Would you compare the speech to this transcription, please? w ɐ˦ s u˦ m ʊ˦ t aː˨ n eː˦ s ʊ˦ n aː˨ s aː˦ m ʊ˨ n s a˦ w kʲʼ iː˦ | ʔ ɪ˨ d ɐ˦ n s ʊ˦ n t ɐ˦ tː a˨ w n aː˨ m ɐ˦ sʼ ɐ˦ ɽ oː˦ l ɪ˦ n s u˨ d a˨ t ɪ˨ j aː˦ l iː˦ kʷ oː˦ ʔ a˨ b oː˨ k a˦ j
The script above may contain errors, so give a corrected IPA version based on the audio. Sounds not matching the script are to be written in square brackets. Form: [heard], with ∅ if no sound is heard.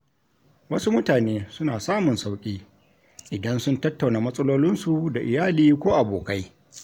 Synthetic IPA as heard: w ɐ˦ s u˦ m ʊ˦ t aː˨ n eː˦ s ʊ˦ n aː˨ s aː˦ m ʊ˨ n s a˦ w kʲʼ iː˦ | ʔ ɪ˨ d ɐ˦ n s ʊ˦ n t ɐ˦ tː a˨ w n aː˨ m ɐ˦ sʼ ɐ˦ [l] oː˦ l ɪ˦ n s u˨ d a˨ [ʔ] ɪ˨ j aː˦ l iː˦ kʷ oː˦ ʔ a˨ b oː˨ k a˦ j